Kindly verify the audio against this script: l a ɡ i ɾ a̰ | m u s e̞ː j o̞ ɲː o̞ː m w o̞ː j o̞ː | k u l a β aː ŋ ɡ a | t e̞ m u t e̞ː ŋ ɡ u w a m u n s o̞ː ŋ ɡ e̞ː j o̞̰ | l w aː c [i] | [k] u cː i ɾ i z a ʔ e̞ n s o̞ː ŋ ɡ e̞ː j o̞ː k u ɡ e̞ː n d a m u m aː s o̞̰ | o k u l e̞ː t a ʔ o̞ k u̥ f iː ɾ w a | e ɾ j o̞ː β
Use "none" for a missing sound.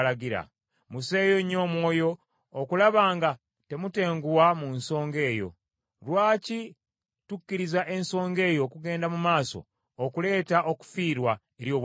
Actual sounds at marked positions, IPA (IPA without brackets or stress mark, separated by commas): i, t